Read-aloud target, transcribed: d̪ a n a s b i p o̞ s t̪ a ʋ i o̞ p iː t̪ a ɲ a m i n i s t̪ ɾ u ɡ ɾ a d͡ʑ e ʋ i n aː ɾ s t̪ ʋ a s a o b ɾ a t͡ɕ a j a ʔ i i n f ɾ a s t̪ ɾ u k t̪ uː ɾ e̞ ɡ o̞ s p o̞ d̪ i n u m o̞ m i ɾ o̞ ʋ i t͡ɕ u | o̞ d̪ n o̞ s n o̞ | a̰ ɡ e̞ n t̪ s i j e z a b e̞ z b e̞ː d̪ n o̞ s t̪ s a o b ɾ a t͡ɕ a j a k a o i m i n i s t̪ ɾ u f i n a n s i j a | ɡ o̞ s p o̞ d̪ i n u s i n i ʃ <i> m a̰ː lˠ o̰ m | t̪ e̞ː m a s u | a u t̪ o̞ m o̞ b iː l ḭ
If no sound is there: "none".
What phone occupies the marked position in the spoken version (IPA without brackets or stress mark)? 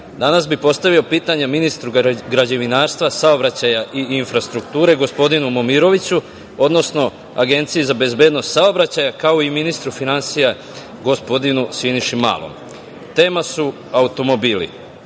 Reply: i